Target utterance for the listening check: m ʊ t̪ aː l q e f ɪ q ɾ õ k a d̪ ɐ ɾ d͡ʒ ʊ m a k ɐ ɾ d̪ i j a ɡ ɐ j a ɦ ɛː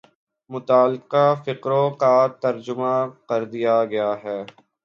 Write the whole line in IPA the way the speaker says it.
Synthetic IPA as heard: m ʊ t̪ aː l q a f ɪ q ɾ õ k a t̪ ɐ ɾ d͡ʒ ʊ m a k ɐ ɾ d̪ i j a ɡ ɐ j a ɦ ɛː